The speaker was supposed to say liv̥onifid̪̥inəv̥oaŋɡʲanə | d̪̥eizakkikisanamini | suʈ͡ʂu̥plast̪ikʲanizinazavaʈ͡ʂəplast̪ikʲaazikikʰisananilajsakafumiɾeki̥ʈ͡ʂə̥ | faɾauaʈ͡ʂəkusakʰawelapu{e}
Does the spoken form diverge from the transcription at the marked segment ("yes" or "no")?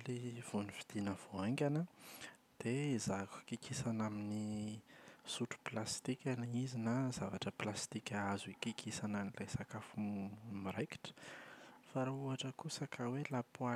yes